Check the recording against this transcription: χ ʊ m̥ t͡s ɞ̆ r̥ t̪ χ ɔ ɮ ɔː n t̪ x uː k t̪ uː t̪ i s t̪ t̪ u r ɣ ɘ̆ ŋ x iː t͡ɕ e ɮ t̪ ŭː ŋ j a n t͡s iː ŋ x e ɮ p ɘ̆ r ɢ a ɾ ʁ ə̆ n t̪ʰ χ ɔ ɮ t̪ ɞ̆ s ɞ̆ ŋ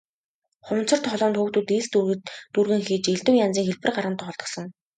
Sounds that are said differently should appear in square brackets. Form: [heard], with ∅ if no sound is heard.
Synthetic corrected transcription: χ ʊ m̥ t͡s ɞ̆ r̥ t̪ χ ɔ ɮ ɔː n t̪ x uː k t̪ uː t̪ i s t̪ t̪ u r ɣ ɘ̆ ŋ x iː t͡ɕ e ɮ t̪ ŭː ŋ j a n t͡s iː ŋ x e ɮ p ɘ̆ r ɢ a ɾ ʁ ə̆ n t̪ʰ χ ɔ ɮ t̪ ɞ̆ s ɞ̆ ŋ